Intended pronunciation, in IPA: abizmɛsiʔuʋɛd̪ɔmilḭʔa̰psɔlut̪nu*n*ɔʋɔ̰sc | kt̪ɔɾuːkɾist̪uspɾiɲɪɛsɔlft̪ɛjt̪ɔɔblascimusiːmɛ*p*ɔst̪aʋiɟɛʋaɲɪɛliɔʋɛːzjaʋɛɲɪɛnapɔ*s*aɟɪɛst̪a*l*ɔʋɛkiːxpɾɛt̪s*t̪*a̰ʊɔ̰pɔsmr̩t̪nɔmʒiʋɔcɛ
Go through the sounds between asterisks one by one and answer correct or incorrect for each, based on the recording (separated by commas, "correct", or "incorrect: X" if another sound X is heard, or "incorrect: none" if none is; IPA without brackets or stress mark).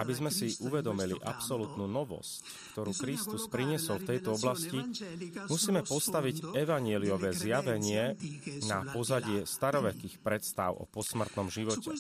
correct, correct, incorrect: z, incorrect: ɾ, correct